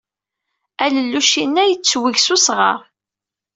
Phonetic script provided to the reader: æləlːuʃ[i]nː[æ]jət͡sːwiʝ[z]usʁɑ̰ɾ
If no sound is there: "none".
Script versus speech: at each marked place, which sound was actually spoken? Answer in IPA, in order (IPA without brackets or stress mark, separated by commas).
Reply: i, æ, s